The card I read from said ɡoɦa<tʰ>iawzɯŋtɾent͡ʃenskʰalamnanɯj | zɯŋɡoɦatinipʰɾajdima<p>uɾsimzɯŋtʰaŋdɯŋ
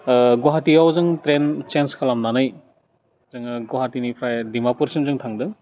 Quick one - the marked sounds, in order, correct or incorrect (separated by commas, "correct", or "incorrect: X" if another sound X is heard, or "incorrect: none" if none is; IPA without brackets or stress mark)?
incorrect: t, correct